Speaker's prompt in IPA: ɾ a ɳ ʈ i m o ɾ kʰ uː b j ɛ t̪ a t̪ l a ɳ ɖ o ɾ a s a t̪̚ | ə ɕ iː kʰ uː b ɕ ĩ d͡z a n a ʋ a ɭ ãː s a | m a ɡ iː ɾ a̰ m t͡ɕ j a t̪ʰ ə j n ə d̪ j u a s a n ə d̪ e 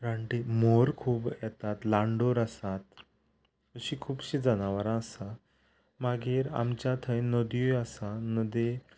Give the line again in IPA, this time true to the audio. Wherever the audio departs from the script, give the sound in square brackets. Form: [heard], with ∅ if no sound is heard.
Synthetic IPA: ɾ a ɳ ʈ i m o ɾ kʰ uː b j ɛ t̪ a t̪ l a ɳ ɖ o ɾ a s a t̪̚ | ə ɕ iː kʰ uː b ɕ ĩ d͡z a n a ʋ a [ɾ] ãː s a | m a ɡ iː ɾ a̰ m t͡ɕ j a t̪ʰ ə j n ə d̪ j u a s a n ə d̪ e